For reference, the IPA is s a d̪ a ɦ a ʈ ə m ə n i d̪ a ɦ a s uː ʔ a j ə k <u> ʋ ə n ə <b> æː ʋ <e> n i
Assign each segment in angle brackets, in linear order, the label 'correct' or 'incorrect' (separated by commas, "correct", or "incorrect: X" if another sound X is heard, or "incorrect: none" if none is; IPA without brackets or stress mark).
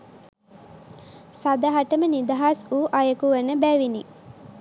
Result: correct, correct, incorrect: i